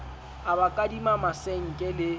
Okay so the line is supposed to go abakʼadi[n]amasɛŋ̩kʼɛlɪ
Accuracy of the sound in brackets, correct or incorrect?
incorrect